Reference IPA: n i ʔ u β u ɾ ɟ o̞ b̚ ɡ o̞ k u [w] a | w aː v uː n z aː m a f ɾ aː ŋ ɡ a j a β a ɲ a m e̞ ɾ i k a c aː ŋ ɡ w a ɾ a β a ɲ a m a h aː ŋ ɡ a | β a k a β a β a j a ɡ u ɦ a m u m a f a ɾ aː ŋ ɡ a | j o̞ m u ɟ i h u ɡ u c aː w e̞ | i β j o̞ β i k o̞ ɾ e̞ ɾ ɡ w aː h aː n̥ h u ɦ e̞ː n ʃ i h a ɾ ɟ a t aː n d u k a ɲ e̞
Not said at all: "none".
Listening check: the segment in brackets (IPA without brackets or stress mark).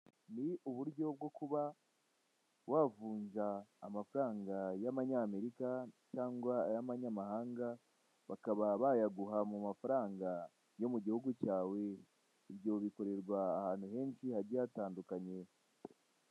β